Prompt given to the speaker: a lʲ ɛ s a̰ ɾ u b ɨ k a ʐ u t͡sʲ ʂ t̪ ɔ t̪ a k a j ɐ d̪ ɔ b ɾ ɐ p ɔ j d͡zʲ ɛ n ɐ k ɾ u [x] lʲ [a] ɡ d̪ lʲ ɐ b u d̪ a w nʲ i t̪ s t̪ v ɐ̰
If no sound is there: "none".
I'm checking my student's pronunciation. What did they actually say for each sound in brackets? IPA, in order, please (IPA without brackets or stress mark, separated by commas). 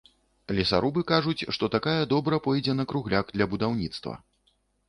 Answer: ɣ, a